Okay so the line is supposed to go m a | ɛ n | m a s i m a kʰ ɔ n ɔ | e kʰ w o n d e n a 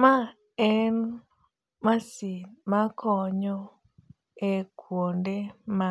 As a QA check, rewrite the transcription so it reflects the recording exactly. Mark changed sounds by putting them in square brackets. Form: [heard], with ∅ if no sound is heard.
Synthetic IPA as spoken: m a | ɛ n | m a s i m a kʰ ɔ [ɲ] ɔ | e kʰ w o n d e [m] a